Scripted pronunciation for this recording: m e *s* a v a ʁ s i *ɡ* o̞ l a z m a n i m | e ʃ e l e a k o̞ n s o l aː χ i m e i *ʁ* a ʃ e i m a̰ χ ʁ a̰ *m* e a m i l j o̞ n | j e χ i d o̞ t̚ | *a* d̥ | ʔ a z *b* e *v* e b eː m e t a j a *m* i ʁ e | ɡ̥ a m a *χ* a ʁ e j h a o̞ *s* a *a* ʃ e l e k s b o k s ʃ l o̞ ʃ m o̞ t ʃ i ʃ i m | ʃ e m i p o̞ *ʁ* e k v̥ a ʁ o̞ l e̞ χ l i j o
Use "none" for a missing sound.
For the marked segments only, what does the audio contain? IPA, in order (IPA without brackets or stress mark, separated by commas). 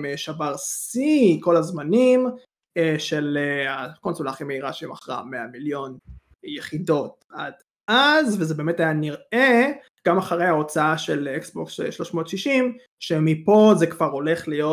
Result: ʃ, k, ʁ, m, a, v, z, n, χ, t͡s, a, z